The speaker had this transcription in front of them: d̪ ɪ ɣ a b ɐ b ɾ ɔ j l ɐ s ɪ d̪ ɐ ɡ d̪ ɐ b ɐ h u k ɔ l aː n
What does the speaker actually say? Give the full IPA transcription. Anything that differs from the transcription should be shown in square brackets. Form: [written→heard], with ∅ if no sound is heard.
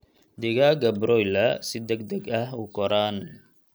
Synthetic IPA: d̪ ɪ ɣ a [b→ɡ] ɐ b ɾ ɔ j l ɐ s ɪ d̪ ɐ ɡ d̪ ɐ [b→ɡ] ɐ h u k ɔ [l→ɾ] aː n

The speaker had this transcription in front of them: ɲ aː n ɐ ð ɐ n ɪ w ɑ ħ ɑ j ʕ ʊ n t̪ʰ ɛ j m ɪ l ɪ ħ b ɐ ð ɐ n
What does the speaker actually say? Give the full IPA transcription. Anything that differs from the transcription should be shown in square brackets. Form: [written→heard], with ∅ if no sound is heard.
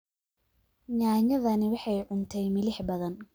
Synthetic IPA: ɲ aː [n→ɲ] ɐ ð ɐ n ɪ w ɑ ħ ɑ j ʕ ʊ n t̪ʰ ɛ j m ɪ l ɪ ħ b ɐ ð ɐ n

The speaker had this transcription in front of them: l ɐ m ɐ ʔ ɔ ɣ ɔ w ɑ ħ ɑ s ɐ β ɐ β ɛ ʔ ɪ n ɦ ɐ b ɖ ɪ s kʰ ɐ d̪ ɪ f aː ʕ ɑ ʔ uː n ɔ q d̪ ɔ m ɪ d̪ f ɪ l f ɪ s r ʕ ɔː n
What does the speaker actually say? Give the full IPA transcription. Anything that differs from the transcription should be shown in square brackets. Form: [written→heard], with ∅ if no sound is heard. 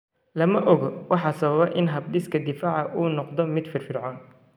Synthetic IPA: l ɐ m ɐ ʔ ɔ ɣ ɔ w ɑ ħ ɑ s ɐ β ɐ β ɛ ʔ ɪ n ɦ ɐ b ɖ ɪ s kʰ ɐ d̪ ɪ f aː ʕ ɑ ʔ uː n ɔ q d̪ ɔ m ɪ d̪ f ɪ [l→r] f ɪ [s→∅] r ʕ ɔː n

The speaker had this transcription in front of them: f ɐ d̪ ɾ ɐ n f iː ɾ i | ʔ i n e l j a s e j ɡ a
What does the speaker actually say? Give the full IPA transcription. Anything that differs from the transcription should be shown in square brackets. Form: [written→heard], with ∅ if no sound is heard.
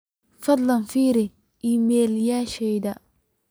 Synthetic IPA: f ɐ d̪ [ɾ→l] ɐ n f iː ɾ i | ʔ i [n→m] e l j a [s→ʃ] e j [ɡ→d] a

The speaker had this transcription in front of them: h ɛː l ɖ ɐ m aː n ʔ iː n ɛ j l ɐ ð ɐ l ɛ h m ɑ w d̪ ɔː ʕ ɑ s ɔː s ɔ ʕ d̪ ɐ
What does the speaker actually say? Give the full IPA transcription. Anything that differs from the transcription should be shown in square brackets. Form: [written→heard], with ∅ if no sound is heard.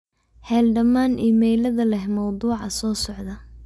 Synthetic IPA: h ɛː l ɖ ɐ m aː n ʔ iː [n→m] ɛ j l ɐ ð ɐ l ɛ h m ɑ w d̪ [ɔː→uː] ʕ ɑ s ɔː s ɔ ʕ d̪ ɐ

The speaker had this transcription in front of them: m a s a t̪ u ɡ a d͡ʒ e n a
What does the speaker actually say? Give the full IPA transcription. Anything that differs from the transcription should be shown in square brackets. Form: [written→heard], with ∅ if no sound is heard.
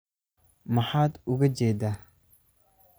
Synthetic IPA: m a [s→ħ] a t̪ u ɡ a d͡ʒ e [n→d] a

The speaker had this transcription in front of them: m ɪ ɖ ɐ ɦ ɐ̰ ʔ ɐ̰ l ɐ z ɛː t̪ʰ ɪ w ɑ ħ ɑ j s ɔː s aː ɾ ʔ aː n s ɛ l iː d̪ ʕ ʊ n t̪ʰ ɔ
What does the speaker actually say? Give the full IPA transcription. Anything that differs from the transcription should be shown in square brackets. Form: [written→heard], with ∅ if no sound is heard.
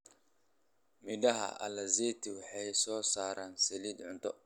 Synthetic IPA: m ɪ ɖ ɐ ɦ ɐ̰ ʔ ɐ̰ l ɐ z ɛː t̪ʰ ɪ w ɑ ħ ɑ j s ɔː s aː ɾ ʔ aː n s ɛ l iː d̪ ʕ ʊ n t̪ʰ ɔ

